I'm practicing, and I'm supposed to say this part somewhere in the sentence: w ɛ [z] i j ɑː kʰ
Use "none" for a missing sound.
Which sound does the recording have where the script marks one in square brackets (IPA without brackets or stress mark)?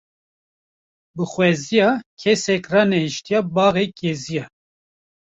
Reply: z